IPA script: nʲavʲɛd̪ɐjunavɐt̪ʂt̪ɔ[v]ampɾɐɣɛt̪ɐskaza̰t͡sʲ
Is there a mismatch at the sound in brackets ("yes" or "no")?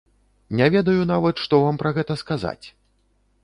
no